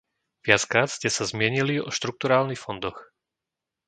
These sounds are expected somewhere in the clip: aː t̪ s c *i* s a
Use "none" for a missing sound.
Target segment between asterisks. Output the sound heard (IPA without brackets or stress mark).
ɛ